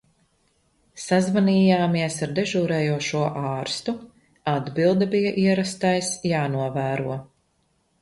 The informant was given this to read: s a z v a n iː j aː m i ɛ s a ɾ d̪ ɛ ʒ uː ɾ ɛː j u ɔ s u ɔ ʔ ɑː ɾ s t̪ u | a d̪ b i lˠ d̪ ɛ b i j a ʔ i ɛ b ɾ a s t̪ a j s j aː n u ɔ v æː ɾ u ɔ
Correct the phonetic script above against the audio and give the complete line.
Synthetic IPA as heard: s a z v a n iː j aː m i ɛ s a ɾ d̪ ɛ ʒ uː ɾ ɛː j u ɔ ʃ u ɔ ʔ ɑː ɾ s t̪ u | a d̪ b i lˠ d̪ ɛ b i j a ʔ i ɛ ɾ a s t̪ a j s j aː n u ɔ v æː ɾ u ɔ